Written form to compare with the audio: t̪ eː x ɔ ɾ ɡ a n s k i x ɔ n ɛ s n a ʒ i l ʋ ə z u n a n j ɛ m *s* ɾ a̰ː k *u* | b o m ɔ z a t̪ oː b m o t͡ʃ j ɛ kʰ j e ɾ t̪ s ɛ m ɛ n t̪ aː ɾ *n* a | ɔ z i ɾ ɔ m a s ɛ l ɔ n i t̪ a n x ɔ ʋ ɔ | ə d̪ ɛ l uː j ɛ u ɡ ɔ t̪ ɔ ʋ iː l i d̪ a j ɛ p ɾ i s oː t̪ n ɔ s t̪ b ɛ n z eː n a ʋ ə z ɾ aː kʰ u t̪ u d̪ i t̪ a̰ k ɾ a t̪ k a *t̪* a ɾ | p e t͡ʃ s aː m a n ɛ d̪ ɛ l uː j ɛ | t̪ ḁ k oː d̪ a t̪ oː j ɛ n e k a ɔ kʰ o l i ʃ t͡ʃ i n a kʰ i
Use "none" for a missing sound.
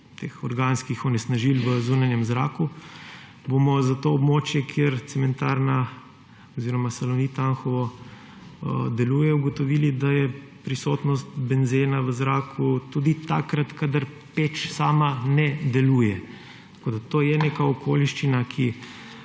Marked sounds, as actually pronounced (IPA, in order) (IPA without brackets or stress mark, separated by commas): z, u, n, d̪